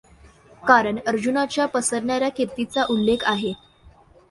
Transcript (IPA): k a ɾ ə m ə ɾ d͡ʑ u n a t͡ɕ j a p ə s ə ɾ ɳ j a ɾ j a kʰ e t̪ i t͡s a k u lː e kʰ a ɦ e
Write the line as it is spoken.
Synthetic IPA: k a ɾ ə ɳ ə ɾ d͡ʑ u n a t͡ɕ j a p ə s ə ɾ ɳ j a ɾ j a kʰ e t̪ i t͡s a ʔ u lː e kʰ a ɦ e